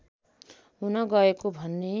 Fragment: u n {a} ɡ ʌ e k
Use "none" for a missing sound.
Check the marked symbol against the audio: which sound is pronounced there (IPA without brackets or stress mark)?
ʌ